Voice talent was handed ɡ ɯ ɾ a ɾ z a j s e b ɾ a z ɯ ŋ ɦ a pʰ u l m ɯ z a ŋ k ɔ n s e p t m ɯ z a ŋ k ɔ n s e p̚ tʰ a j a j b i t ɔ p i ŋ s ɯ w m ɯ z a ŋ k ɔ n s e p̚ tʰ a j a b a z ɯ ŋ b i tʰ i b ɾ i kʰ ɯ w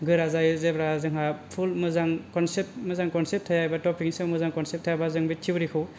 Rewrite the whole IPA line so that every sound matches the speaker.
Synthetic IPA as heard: ɡ ɯ ɾ a z a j z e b ɾ a z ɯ ŋ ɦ a pʰ u l m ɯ z a ŋ k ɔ n s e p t m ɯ z a ŋ k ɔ n s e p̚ tʰ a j a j b a t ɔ p i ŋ s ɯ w m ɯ z a ŋ k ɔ n s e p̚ tʰ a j a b a z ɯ ŋ b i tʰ i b ɾ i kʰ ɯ w